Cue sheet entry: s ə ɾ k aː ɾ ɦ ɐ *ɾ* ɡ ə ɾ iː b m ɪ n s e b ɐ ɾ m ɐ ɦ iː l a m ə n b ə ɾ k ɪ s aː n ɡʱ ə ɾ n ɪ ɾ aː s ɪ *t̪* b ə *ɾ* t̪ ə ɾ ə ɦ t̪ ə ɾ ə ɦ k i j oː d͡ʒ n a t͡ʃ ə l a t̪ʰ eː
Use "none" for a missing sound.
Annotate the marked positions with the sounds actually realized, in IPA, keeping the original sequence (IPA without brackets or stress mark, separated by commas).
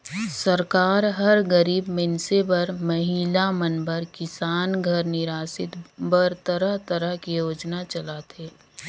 ɾ, t̪, ɾ